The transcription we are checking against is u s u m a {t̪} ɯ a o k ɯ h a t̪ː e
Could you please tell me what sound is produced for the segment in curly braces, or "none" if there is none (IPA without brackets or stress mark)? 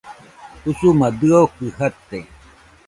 d̪